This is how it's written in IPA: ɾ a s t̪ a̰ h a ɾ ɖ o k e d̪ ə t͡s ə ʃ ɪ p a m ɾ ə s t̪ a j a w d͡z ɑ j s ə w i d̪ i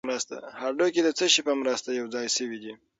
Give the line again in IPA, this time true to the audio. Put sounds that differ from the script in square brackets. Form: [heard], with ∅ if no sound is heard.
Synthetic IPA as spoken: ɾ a s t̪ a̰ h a ɾ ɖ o k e d̪ ə t͡s ə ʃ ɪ p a m ɾ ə s t̪ a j a w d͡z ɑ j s ə w i d̪ i